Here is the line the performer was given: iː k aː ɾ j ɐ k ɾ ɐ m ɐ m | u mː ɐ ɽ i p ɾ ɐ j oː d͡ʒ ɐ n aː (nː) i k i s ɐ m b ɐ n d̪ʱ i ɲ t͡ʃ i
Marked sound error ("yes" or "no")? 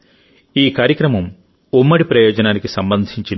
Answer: yes